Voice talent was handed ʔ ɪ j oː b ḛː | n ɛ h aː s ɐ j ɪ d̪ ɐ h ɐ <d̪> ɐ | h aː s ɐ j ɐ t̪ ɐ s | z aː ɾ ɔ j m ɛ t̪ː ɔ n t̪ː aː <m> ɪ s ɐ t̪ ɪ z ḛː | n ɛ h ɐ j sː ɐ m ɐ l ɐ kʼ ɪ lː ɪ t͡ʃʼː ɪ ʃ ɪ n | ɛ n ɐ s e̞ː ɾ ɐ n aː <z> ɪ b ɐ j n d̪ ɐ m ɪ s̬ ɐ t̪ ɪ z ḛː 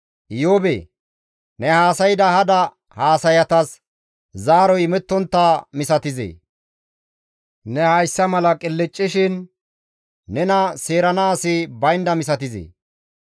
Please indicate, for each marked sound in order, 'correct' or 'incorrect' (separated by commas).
correct, correct, incorrect